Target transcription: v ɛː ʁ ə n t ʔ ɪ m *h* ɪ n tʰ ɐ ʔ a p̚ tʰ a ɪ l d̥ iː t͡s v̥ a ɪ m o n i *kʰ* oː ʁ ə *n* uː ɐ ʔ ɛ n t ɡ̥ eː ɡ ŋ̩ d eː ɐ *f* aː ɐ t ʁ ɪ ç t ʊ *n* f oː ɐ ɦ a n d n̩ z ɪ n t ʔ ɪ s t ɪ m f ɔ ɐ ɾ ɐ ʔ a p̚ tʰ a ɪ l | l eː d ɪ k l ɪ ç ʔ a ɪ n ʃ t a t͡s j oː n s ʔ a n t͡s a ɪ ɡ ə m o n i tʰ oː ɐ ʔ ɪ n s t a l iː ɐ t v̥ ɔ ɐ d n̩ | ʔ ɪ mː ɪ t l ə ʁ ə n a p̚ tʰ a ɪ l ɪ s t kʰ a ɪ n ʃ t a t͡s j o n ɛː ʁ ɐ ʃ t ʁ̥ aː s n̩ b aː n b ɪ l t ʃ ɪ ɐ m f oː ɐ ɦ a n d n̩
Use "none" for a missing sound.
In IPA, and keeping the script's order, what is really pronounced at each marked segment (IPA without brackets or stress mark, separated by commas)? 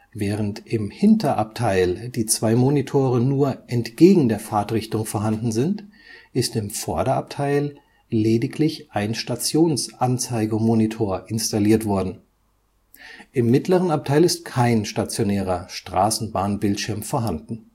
h, tʰ, n, f, ŋ